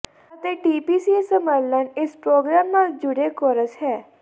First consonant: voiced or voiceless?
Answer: voiceless